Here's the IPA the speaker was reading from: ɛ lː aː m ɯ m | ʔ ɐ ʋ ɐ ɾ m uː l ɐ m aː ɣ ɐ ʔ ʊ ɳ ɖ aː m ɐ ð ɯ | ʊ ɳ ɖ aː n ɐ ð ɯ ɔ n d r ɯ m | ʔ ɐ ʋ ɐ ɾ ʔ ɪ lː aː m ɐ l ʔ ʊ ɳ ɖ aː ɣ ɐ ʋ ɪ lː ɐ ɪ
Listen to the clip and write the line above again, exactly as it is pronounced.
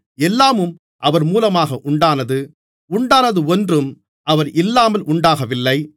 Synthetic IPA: ɛ lː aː m ɯ m | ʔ ɐ ʋ ɐ ɾ m uː l ɐ m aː ɣ ɐ ʔ ʊ ɳ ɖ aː n ɐ ð ɯ | ʊ ɳ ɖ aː n ɐ ð ɯ ɔ n d r ɯ m | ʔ ɐ ʋ ɐ ɾ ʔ ɪ lː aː m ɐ l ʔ ʊ ɳ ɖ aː ɣ ɐ ʋ ɪ lː ɐ ɪ